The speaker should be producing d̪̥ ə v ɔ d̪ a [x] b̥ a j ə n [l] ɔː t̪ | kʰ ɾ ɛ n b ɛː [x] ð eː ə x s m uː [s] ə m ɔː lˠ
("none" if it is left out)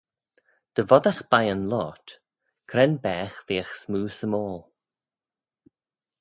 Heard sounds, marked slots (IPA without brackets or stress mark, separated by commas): x, l, x, s